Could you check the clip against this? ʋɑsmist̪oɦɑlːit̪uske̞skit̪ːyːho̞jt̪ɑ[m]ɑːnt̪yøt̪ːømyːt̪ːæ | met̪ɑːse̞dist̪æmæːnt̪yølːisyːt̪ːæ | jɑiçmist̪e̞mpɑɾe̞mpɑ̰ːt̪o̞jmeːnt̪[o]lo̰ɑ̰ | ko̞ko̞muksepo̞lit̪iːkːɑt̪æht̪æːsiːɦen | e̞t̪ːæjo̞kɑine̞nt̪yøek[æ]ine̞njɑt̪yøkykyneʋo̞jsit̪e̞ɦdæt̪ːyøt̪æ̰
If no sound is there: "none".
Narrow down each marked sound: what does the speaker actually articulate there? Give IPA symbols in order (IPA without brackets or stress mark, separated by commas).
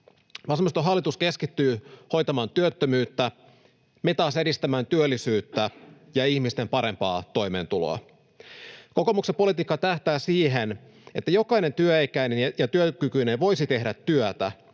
m, u, æ